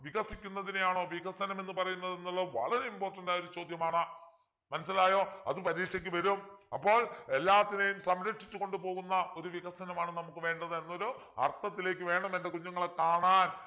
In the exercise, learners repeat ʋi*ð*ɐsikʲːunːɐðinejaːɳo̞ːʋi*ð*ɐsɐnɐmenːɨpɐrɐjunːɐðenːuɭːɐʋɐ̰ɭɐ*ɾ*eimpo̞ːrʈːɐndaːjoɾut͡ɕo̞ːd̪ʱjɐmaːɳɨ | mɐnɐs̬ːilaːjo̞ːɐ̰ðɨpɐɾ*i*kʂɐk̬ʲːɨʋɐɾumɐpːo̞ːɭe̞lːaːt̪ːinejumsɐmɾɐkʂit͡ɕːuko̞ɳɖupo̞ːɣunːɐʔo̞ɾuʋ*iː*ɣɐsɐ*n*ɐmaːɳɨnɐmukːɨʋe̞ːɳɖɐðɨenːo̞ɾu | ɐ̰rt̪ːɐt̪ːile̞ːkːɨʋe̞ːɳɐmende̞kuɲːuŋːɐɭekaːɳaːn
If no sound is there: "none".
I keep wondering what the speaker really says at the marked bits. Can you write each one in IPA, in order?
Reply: ɣ, ɣ, ɾ, iː, i, n

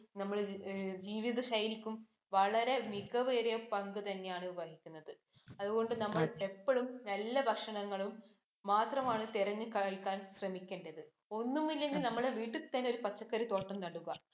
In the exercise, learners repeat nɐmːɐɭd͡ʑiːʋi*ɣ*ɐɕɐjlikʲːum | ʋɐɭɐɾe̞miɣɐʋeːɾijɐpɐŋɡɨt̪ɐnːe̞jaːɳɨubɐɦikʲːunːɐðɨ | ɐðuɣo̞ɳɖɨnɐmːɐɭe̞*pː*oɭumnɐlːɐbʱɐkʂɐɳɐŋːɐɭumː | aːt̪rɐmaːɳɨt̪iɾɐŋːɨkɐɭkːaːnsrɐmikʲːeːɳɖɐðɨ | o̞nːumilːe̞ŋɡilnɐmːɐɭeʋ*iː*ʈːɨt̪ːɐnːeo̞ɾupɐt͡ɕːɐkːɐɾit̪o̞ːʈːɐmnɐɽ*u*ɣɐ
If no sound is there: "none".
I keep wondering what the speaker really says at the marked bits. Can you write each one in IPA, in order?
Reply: ð, pː, iː, u

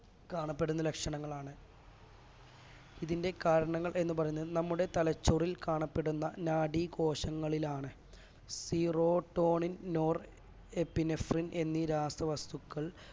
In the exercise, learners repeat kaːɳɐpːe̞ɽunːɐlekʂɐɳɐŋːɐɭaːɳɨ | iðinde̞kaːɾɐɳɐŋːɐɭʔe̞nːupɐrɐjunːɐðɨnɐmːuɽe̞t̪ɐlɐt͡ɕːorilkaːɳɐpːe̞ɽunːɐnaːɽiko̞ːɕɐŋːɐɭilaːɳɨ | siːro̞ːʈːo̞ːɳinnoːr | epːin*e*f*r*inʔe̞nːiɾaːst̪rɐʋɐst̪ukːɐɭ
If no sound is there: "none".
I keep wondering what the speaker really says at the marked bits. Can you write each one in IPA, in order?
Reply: e, r

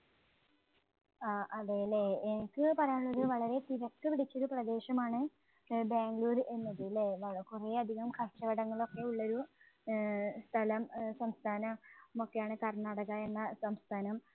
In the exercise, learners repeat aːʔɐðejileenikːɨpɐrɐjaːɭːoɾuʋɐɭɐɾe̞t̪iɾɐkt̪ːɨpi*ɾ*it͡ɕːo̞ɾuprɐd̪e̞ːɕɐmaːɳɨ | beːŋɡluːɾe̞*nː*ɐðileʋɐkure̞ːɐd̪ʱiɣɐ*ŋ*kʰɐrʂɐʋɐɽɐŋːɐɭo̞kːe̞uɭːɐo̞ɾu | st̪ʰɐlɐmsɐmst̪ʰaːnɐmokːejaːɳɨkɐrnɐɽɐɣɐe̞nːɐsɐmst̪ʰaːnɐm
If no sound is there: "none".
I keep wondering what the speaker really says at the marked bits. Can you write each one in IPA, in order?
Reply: ɽ, nː, m

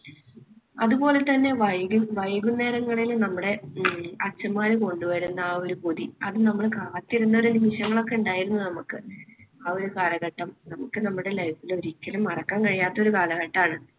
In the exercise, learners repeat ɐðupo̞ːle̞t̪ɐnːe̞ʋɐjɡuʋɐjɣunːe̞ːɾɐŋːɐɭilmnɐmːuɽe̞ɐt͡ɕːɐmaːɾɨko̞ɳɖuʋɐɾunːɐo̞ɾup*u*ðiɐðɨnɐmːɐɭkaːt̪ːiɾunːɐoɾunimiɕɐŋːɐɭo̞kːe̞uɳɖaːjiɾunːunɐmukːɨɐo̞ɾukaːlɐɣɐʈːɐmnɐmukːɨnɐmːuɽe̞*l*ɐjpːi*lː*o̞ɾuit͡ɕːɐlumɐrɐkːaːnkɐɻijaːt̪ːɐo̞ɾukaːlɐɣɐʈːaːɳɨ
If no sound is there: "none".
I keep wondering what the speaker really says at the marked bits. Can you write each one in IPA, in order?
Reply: o, l, l

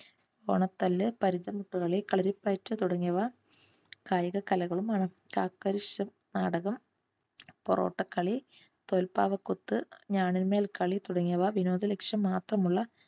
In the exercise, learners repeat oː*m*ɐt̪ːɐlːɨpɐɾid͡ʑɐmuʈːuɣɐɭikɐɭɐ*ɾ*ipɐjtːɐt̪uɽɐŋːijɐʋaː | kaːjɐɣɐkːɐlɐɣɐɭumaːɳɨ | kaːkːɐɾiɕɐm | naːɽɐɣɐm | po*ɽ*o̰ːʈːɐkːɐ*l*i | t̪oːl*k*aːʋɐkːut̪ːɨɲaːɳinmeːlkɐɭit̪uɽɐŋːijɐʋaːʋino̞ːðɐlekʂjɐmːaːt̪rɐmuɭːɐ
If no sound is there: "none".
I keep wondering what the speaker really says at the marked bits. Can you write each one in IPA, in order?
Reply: ɳ, ɾ, r, ɭ, p

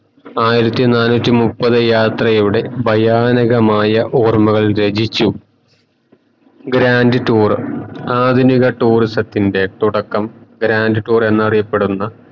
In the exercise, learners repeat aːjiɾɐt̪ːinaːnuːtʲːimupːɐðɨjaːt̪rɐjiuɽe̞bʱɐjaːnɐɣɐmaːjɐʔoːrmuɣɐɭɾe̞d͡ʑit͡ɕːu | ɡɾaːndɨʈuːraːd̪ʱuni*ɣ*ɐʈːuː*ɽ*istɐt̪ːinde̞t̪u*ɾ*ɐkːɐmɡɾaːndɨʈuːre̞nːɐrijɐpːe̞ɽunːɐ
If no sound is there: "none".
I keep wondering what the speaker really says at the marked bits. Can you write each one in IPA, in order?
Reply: ɣ, r, ɽ

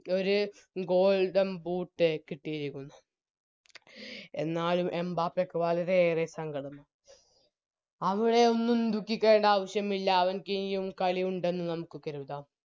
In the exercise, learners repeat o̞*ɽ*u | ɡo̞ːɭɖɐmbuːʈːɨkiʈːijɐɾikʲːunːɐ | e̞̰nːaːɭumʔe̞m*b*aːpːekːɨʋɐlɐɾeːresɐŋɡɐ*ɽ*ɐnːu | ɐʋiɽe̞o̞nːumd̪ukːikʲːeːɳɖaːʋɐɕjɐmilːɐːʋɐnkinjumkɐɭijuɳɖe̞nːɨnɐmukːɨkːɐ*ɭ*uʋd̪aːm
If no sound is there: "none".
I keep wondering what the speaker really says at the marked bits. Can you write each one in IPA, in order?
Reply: ɾ, b, ɽ, ɾ

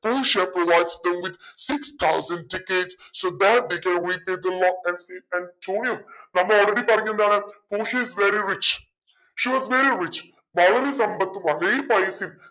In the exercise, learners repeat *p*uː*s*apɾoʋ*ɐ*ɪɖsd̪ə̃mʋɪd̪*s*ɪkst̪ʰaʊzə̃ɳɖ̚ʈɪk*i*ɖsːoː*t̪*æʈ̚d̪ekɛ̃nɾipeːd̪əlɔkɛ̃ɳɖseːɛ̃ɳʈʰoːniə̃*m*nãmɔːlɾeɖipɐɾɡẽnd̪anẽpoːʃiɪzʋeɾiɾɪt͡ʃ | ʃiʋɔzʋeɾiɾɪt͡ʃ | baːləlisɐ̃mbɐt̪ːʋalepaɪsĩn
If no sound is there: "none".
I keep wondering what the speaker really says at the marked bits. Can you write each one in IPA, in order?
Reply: p, ʃ, a, s, e, d̪, m

